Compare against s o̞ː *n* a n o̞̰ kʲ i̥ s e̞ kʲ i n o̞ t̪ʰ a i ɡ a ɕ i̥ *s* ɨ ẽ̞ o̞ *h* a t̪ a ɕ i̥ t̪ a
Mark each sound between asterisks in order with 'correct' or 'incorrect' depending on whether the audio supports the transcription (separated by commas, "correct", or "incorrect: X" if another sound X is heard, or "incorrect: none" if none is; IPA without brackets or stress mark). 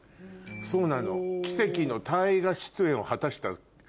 correct, incorrect: t͡s, correct